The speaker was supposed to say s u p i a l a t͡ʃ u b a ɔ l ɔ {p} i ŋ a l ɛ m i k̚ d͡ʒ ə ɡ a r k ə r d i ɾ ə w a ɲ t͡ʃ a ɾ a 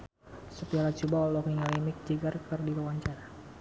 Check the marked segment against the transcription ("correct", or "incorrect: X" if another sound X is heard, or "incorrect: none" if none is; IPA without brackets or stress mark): incorrect: k